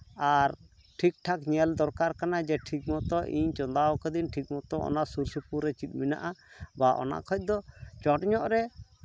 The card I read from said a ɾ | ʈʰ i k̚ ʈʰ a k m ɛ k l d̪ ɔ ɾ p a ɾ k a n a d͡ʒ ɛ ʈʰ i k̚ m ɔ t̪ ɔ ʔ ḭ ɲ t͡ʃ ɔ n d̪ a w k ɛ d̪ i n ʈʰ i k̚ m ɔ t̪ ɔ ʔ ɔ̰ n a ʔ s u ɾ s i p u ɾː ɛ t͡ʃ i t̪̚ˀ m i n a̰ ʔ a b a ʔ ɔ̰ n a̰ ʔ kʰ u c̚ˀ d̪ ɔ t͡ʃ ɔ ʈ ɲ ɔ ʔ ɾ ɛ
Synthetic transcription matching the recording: a ɾ | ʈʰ i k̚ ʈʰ a k ɲ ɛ l d̪ ɔ ɾ k a ɾ k a n a d͡ʒ ɛ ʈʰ i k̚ m ɔ t̪ ɔ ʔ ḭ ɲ t͡ʃ ɔ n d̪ a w k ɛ d̪ i n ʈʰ i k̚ m ɔ t̪ ɔ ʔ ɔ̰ n a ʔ s u ɾ s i p u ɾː ɛ t͡ʃ i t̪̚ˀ m i n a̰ ʔ a b a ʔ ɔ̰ n a̰ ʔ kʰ ɔ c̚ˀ d̪ ɔ t͡ʃ ɔ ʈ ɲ ɔ ʔ ɾ ɛ